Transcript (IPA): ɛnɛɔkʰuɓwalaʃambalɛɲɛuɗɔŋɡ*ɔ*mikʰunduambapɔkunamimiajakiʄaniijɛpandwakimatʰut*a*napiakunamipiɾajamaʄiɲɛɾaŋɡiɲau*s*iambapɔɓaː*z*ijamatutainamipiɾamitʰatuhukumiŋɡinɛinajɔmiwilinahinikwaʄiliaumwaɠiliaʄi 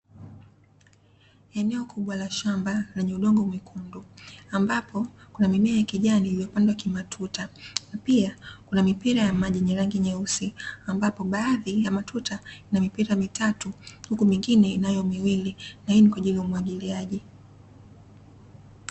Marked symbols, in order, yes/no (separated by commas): yes, yes, yes, no